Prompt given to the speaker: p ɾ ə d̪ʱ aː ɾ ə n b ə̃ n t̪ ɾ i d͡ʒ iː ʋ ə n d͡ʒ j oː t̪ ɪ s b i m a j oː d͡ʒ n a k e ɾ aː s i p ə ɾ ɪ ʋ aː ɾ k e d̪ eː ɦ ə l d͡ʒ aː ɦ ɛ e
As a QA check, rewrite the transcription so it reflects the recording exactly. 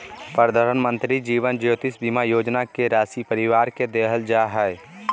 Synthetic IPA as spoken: p ɾ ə d̪ʱ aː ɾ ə n m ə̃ n t̪ ɾ i d͡ʒ iː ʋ ə n d͡ʒ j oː t̪ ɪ s b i m a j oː d͡ʒ n a k e ɾ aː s i p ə ɾ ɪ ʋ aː ɾ k e d̪ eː ɦ ə l d͡ʒ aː ɦ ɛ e